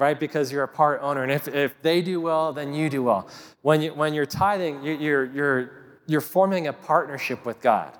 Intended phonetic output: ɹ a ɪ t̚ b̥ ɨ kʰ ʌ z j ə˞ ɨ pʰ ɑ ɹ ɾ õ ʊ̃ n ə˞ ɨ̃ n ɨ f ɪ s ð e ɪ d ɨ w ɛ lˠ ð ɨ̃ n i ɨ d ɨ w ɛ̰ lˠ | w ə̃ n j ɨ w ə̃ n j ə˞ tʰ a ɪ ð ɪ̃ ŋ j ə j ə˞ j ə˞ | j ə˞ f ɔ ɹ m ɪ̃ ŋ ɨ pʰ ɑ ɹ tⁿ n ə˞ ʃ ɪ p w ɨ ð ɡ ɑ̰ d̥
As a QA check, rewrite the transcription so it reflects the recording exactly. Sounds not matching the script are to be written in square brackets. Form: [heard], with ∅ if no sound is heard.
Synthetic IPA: ɹ a ɪ t̚ b̥ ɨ kʰ ʌ z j ə˞ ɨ pʰ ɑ ɹ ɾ õ ʊ̃ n ə˞ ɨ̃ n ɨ f ɪ [f] ð e ɪ d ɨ w ɛ lˠ ð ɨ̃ n [j] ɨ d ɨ w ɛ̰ lˠ | w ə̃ n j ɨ w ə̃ n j ə˞ tʰ a ɪ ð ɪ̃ ŋ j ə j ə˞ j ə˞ | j ə˞ f ɔ ɹ m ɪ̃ ŋ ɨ pʰ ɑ ɹ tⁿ n ə˞ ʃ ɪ p w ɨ ð ɡ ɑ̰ d̥